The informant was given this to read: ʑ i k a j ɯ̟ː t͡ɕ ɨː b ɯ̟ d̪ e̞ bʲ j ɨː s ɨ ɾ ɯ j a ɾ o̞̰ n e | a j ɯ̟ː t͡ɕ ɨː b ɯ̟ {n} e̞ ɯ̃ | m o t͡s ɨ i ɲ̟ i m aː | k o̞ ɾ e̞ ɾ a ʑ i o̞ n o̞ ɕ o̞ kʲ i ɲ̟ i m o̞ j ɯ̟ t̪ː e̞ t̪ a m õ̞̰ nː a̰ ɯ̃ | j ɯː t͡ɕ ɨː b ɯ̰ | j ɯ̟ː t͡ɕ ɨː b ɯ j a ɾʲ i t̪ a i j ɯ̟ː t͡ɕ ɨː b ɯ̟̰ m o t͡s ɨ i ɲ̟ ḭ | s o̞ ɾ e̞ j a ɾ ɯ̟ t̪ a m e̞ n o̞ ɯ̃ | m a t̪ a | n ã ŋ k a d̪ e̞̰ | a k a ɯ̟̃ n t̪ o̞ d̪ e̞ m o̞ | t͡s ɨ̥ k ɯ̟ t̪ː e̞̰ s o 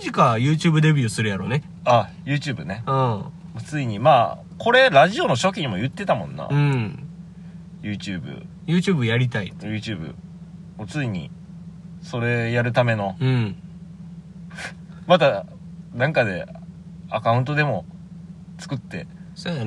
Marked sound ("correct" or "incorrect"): correct